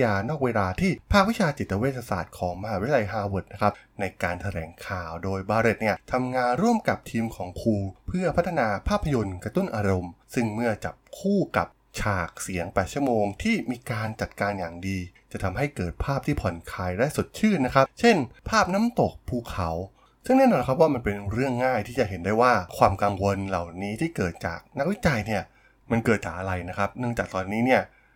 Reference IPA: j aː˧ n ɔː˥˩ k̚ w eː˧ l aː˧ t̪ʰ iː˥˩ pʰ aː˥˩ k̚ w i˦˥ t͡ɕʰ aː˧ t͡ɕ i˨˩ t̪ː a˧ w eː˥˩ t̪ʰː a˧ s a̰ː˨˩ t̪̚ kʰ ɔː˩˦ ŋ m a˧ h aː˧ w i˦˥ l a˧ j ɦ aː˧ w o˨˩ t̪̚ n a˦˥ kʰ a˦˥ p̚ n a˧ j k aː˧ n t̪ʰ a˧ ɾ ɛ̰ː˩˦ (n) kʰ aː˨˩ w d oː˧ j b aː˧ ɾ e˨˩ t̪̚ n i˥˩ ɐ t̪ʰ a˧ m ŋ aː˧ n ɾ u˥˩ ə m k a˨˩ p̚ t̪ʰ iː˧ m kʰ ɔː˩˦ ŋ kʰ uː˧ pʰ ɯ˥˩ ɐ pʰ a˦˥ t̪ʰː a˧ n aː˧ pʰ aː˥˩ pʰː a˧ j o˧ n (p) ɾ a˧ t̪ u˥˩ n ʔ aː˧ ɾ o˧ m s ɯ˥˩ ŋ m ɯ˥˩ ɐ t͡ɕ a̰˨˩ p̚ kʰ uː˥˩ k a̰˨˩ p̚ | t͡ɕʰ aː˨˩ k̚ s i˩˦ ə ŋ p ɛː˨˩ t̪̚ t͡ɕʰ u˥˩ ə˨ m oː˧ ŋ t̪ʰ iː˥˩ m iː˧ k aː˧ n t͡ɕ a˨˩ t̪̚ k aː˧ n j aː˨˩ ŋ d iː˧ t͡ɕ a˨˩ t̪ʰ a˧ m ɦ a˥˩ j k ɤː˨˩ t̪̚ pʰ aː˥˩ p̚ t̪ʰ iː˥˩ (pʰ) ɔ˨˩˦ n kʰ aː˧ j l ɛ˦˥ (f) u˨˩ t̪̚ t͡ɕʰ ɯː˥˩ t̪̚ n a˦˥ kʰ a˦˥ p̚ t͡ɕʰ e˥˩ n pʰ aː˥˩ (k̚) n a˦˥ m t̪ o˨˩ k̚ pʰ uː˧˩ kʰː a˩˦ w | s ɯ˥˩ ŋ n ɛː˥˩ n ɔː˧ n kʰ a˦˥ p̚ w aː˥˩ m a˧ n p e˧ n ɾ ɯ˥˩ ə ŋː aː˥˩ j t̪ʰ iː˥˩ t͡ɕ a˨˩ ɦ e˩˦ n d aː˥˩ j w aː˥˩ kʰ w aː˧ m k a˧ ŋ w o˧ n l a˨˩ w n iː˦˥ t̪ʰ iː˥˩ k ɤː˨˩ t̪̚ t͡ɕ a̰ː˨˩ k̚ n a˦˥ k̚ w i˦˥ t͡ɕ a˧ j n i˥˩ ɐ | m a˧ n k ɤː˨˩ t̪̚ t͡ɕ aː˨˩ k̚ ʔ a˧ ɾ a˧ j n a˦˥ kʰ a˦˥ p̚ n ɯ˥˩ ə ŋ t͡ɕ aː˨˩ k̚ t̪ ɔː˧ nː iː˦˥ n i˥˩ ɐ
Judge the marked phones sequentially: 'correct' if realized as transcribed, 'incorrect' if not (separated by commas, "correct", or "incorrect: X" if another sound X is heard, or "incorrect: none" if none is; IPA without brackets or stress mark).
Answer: incorrect: ŋ, incorrect: k, correct, incorrect: s, incorrect: p̚